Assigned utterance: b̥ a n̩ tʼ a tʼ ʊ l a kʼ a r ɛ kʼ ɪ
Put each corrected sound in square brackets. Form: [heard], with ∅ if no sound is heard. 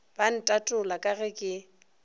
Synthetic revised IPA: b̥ a n̩ tʼ a tʼ ʊ l a kʼ a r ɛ kʼ ɪ